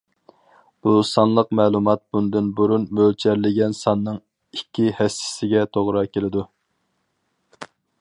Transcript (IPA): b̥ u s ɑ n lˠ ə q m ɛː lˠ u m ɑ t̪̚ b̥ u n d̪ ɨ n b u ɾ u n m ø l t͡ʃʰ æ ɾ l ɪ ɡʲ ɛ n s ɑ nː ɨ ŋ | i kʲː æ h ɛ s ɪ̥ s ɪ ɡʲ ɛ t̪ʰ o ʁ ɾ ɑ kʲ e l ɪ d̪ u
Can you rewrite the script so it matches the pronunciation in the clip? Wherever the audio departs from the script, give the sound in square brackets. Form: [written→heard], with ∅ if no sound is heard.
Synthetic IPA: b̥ u s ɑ n lˠ ə q m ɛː lˠ u m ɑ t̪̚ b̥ u n d̪ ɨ n b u ɾ u n m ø l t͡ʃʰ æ ɾ l ɪ ɡʲ ɛ n s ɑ nː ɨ ŋ | i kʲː [æ→i] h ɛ s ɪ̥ s ɪ ɡʲ ɛ t̪ʰ o ʁ ɾ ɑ kʲ e l ɪ d̪ u